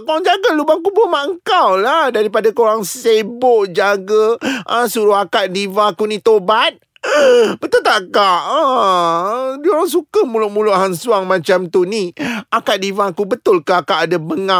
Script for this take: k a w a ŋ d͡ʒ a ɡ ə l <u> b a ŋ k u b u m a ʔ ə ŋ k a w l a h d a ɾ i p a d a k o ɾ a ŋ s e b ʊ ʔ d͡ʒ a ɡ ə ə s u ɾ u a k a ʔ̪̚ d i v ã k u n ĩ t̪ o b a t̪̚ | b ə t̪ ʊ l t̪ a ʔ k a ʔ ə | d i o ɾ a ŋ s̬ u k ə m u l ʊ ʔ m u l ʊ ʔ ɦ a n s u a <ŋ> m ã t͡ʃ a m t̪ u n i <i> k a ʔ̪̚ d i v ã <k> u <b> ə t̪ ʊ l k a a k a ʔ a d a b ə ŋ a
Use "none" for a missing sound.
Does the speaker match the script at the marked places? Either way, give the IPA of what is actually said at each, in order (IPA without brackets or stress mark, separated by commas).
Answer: u, ŋ, a, k, b